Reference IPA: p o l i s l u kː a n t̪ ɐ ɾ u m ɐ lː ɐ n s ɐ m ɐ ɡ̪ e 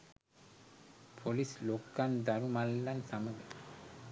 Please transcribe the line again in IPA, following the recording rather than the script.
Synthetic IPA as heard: pʰ o l i s l o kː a n d̪ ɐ ɾ u m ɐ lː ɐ n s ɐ m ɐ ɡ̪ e